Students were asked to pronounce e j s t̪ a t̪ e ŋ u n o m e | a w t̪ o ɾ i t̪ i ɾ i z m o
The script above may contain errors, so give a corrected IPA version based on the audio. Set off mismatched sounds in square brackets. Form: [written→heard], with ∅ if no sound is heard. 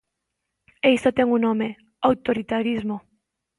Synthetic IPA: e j s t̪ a t̪ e ŋ u n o m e | a w t̪ o ɾ i t̪ [i→a] ɾ i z m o